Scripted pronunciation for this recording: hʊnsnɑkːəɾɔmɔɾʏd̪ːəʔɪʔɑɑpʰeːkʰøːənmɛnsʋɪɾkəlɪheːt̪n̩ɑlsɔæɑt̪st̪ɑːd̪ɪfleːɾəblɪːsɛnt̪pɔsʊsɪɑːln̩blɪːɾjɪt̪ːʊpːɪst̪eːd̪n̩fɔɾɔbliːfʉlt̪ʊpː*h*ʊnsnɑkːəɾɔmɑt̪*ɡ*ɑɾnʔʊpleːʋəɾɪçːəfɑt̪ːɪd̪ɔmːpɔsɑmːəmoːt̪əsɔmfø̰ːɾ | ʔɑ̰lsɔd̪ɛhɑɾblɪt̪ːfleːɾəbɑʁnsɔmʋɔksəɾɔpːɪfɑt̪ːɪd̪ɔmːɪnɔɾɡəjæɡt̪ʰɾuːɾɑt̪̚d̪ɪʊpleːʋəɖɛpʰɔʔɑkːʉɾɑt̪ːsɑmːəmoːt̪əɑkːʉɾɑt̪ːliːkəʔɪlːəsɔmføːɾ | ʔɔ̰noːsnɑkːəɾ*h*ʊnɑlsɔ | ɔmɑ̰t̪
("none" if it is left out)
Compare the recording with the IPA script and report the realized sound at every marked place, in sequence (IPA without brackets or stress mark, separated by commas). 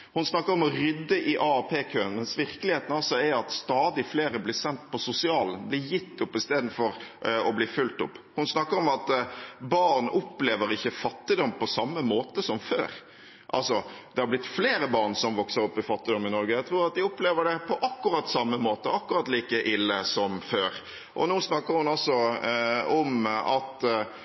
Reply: h, b, h